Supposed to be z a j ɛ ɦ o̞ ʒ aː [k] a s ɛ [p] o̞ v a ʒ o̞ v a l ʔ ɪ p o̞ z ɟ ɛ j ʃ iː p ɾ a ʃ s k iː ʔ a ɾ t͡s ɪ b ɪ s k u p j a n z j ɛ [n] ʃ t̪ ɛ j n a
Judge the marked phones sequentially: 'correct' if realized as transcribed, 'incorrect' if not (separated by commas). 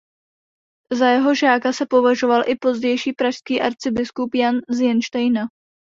correct, correct, correct